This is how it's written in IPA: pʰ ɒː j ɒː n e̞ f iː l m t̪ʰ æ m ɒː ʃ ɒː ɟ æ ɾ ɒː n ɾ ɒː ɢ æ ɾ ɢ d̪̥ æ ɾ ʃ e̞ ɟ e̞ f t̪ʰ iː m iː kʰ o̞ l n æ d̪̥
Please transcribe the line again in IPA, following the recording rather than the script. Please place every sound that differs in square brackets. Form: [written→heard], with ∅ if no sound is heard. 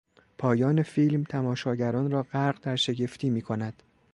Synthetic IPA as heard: pʰ ɒː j ɒː n e̞ f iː l m t̪ʰ æ m ɒː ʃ ɒː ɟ æ ɾ ɒː n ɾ ɒː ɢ æ ɾ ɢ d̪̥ æ ɾ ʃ e̞ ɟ e̞ f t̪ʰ iː m iː kʰ o̞ [l→∅] n æ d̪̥